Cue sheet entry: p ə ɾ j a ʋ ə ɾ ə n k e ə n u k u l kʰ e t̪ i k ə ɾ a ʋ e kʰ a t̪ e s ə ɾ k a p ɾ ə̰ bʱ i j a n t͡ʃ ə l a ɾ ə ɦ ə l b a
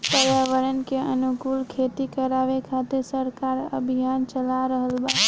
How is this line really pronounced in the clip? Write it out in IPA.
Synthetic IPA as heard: p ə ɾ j a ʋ ə ɾ ə n k e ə n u k u l kʰ e t̪ i k ə ɾ a ʋ e kʰ a t̪ e s ə ɾ k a ɾ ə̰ bʱ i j a n t͡ʃ ə l a ɾ ə ɦ ə l b a